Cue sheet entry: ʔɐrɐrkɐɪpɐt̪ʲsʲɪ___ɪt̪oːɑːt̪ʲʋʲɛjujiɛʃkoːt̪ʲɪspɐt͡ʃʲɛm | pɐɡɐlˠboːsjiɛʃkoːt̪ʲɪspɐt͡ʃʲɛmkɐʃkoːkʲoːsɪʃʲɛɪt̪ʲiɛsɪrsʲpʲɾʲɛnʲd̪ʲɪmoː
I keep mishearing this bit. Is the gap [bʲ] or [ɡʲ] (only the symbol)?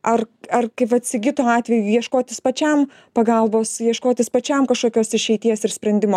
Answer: ɡʲ